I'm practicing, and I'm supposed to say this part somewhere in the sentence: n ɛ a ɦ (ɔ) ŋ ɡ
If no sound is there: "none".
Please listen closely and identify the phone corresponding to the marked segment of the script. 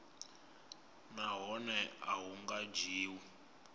u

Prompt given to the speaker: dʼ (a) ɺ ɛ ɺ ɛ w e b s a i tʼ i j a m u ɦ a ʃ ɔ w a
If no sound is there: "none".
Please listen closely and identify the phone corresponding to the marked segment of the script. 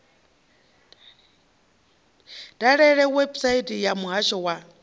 a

